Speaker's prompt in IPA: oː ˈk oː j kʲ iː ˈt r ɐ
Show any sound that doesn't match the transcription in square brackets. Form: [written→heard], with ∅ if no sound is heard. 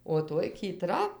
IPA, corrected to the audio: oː [ˈk→ˈt] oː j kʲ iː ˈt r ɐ